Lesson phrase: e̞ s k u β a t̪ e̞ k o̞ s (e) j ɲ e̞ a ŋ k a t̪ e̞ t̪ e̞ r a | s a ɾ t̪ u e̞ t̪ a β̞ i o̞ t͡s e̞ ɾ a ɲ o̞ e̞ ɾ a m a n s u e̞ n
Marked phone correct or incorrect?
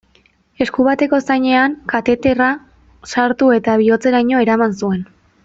incorrect